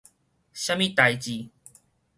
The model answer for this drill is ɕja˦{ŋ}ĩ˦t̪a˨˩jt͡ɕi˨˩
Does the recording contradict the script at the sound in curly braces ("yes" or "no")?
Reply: yes